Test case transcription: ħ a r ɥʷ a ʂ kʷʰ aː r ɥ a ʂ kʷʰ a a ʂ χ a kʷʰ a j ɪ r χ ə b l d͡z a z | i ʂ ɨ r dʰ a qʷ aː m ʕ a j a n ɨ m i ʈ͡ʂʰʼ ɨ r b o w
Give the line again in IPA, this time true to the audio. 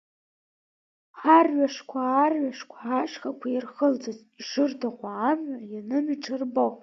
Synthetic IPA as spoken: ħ a r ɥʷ a ʂ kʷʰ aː r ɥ a ʂ kʷʰ a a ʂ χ a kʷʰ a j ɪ r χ ə l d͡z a z | i ʂ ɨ r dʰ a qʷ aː m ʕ a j a n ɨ m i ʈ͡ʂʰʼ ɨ r b o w

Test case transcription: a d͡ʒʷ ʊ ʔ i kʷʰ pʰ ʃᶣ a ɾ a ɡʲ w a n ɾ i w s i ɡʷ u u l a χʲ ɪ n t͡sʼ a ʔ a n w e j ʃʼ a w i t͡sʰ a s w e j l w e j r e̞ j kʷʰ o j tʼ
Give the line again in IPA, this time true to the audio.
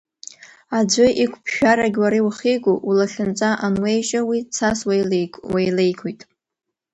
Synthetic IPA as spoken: a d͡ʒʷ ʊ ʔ i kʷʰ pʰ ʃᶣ a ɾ a ɡʲ w a ɾ i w χ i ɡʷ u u l a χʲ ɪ n t͡sʼ a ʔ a n w e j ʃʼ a w i t͡sʰ a s w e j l w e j l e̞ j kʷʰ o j tʼ

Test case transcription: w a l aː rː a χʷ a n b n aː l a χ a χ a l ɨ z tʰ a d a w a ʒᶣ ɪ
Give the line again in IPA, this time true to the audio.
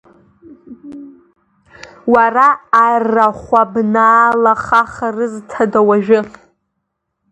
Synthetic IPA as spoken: w a r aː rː a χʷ a b n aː l a χ a χ a r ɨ z tʰ a d a w a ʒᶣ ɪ

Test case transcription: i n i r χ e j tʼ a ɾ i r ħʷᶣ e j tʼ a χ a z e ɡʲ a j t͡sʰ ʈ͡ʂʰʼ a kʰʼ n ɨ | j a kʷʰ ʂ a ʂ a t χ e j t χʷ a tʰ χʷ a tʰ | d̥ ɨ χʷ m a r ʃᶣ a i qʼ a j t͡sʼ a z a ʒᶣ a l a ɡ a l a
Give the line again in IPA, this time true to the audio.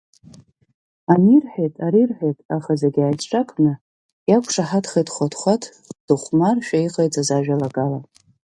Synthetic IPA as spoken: a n i r ħ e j tʼ a ɾ i r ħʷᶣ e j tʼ a χ a z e ɡʲ a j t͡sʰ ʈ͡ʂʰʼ a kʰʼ n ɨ | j a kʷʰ ʂ a ħ a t χ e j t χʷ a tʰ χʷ a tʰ | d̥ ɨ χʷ m a r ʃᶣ a i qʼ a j t͡sʼ a z a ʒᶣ a l a ɡ a l a

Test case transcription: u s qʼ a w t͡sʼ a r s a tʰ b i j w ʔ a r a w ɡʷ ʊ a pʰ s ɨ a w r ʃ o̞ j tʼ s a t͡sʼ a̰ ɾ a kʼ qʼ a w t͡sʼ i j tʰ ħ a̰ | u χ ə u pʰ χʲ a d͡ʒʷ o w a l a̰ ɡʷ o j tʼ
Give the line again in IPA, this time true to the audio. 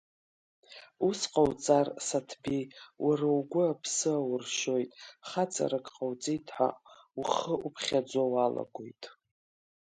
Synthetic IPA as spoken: u s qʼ a w t͡sʼ a r s a tʰ b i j w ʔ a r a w ɡʷ ʊ a pʰ s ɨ a w r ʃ o̞ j tʼ χ a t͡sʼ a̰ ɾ a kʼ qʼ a w t͡sʼ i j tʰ ħ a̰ | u χ ə u pʰ χʲ a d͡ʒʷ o w a l a̰ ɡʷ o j tʼ

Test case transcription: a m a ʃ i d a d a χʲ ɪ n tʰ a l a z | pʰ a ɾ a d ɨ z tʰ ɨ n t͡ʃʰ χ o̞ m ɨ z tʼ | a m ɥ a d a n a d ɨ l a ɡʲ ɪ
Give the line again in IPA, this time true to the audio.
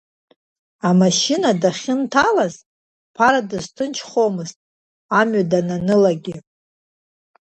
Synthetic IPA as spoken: a m a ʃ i n a d a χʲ ɪ n tʰ a l a z | pʰ a ɾ a d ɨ z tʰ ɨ n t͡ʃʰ χ o̞ m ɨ z tʼ | a m ɥ a d a n a n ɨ l a ɡʲ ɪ

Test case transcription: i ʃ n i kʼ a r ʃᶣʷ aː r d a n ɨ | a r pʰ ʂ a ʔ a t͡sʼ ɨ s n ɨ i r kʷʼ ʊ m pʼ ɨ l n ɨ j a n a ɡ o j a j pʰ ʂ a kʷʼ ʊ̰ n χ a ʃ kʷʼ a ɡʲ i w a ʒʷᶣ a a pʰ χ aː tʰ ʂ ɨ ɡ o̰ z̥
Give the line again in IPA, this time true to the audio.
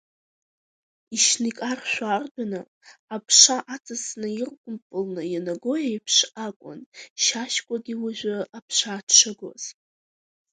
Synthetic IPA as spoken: i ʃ n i kʼ a r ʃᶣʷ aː r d a n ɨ | a pʰ ʂ a ʔ a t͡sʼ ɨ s n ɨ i r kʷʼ ʊ m pʼ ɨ l n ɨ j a n a ɡ o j a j pʰ ʂ a kʷʼ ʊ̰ n ʃ a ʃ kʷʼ a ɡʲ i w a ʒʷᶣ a a pʰ ʂ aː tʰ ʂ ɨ ɡ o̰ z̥

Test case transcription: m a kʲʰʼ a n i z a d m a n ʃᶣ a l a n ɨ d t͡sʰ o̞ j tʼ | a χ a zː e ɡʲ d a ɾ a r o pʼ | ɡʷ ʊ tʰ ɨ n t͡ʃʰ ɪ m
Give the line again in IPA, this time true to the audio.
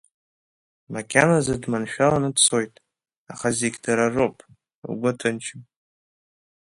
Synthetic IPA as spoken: m a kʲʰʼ a n a z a d m a n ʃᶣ a l a n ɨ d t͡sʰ o̞ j tʼ | a χ a z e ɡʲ d a ɾ a r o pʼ | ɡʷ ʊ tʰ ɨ n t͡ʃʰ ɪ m

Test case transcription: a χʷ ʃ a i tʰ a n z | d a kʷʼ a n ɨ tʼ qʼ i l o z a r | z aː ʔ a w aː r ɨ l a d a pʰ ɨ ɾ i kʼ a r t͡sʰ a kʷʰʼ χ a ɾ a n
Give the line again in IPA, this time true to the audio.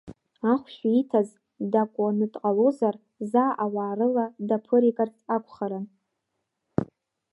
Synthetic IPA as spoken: a χʷ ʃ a i tʰ a z | d a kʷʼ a n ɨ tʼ qʼ a l o z a r | z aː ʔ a w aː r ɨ l a d a pʰ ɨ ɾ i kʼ a r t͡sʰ a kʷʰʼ χ a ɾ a n

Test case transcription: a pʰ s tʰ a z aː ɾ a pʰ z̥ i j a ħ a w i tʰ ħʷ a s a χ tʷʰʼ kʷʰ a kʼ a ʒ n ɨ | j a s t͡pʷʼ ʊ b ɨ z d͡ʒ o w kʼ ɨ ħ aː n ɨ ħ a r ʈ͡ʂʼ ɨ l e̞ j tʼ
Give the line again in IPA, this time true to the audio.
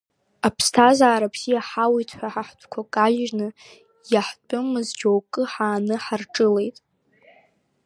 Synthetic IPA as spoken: a pʰ s tʰ a z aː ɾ a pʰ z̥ i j a ħ a w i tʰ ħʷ a ħ a ħ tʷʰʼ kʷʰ a kʼ a ʒ n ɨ | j a ħ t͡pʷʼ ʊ m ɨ z d͡ʒ o w kʼ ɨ ħ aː n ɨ ħ a r ʈ͡ʂʼ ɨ l e̞ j tʼ

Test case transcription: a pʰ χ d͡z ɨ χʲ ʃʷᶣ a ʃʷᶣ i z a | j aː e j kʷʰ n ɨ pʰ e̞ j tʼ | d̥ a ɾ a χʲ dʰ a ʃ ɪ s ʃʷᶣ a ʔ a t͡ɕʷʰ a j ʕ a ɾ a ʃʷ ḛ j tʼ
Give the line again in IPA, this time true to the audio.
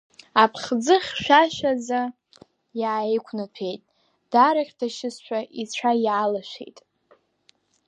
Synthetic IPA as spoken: a pʰ χ d͡z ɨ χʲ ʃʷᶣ a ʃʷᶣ a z a | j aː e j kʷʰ n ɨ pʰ e̞ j tʼ | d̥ a ɾ a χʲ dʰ a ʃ ɪ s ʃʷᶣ a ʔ i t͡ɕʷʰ a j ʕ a l a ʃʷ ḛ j tʼ

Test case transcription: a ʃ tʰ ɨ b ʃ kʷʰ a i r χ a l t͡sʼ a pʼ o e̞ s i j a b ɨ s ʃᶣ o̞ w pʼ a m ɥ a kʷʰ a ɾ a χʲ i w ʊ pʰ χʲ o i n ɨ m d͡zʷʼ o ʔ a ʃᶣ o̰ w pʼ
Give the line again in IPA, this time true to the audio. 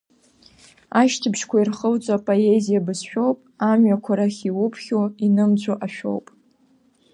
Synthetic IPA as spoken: a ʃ tʰ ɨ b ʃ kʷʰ a i r χ ə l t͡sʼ a pʼ o e̞ z i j a b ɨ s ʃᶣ o̞ w pʼ a m ɥ a kʷʰ a ɾ a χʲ i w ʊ pʰ χʲ o i n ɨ m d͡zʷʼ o ʔ a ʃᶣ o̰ w pʼ

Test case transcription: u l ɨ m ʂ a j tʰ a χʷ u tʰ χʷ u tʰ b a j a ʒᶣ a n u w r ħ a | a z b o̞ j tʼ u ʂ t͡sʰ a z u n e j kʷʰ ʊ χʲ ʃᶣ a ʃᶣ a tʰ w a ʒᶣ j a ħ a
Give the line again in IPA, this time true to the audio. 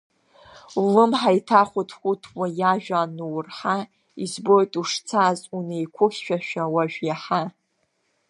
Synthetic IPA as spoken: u l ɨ m ħ a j tʰ a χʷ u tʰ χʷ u tʰ w a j a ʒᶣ a n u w r ħ a | i z b o̞ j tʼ u ʂ t͡sʰ a z u n e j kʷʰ ʊ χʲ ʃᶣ a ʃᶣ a w a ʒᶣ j a ħ a

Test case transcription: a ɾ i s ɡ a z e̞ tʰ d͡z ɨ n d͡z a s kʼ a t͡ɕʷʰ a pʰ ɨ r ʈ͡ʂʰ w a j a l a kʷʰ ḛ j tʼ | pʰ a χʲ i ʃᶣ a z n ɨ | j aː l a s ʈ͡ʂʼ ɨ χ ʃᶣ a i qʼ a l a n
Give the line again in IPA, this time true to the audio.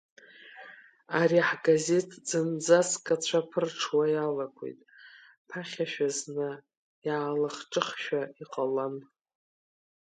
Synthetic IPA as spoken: a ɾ i ħ ɡ a z e̞ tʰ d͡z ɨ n d͡z a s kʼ a t͡ɕʷʰ a pʰ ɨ r ʈ͡ʂʰ w a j a l a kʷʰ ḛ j tʼ | pʰ a χʲ a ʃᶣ a z n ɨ | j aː l a χ ʈ͡ʂʼ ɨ χ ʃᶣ a i qʼ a l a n

